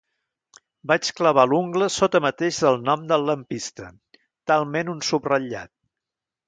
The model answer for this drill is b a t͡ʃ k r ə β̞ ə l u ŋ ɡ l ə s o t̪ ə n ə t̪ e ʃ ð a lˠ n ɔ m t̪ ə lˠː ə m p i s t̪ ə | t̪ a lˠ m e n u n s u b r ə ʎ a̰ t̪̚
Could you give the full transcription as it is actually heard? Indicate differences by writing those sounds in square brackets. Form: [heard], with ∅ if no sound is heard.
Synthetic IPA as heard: b a t͡ʃ k [l] ə β̞ [a] l u ŋ ɡ l ə s o t̪ ə [m] ə t̪ e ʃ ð [ə] lˠ n ɔ m [d̪] ə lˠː ə m p i s t̪ ə | t̪ a lˠ m e n u n s u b r ə ʎ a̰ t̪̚

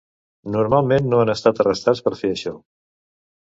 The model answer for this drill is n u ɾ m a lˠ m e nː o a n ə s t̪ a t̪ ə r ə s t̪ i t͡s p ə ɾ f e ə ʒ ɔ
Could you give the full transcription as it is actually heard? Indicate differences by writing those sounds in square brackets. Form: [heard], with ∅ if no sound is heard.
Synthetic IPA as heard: n u ɾ m a lˠ m e nː o a n ə s t̪ a t̪ ə r ə s t̪ [a] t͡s p ə ɾ f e ə [ʃ] ɔ

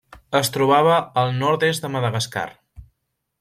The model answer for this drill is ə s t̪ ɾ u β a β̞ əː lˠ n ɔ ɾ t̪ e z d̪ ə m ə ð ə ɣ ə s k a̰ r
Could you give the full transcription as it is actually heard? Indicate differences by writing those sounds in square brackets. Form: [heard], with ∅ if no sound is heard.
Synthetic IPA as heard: ə s t̪ ɾ u β a β̞ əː lˠ n ɔ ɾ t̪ e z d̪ ə m ə ð ə ɣ ə s k a̰ r

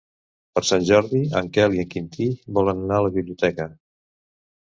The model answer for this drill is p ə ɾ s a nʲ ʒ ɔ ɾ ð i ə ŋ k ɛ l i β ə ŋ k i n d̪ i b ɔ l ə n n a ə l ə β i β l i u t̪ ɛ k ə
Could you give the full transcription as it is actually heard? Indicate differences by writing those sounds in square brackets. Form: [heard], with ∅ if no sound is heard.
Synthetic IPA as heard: p ə ɾ s a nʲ ʒ ɔ ɾ ð i ə ŋ k ɛ l i [∅] ə ŋ k i n [t̪] i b ɔ l ə n n a ə l ə β i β l i u t̪ ɛ k ə

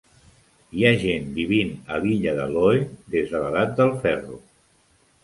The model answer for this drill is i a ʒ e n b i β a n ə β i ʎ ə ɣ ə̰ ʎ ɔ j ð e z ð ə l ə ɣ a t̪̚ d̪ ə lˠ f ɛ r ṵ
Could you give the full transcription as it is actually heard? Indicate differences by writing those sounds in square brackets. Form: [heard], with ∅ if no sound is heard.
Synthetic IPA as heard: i a ʒ e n b i β [i] n ə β i ʎ ə [ð] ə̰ [l] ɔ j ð e z ð ə l ə [ð] a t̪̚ d̪ ə lˠ f ɛ r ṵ

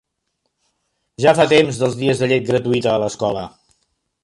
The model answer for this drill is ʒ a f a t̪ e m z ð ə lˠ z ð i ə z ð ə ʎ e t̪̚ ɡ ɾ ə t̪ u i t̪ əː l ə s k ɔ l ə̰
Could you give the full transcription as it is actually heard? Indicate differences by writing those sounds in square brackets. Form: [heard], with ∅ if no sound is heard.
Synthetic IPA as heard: ʒ a f a t̪ e m z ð ə lˠ z ð i ə z ð ə ʎ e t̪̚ ɡ ɾ ə t̪ u i t̪ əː l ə s k ɔ l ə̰

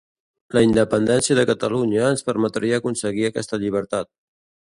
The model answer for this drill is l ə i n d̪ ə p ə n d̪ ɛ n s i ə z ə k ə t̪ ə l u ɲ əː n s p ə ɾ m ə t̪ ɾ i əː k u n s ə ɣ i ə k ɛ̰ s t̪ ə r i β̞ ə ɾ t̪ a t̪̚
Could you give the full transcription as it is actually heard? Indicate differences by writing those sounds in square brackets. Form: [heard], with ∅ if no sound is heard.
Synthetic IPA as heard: l ə i n d̪ ə p ə n d̪ ɛ n s i ə [ð] ə k ə t̪ ə l u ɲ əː n s p ə ɾ m ə t̪ ɾ i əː k u n s ə ɣ i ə k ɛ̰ s t̪ ə [ʎ] i β̞ ə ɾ t̪ a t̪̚

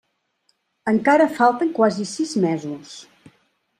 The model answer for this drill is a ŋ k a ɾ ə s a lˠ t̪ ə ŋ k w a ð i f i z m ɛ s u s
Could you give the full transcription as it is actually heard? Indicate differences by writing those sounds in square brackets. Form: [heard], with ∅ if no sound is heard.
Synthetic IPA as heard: [ə] ŋ k a ɾ ə [f] a lˠ t̪ ə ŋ k w a [z] i [s] i z m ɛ [z] u s

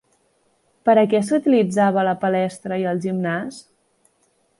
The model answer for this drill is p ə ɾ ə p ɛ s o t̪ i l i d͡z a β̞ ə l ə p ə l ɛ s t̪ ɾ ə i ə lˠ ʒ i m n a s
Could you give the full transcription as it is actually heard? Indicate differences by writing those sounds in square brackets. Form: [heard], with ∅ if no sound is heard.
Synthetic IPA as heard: p ə ɾ ə [k] ɛ s [u] t̪ i l i d͡z a β̞ ə l ə p ə l ɛ s t̪ ɾ ə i ə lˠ ʒ i m n a s

